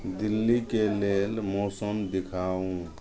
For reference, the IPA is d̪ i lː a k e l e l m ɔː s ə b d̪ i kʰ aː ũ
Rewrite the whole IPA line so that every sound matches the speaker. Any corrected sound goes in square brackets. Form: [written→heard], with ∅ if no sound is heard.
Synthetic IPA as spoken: d̪ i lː [a→i] k e l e l m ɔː s ə [b→m] d̪ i kʰ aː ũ